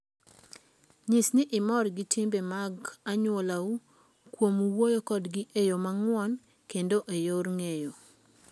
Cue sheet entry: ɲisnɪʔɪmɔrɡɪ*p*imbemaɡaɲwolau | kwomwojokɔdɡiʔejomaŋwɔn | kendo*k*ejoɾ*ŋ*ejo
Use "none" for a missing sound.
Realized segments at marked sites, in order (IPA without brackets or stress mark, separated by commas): t, ʔ, ŋ